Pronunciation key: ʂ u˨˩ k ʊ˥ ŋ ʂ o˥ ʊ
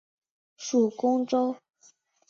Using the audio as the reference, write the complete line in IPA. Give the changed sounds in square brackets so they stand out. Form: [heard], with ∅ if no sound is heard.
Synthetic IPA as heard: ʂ u˨˩ k ʊ˥ ŋ [ʈ͡ʂ] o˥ ʊ